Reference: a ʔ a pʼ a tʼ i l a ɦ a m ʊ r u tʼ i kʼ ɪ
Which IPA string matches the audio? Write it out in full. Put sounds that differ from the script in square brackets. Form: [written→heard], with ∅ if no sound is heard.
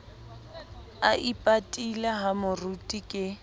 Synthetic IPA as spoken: a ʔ [a→i] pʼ a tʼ i l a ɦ a m ʊ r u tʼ i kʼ ɪ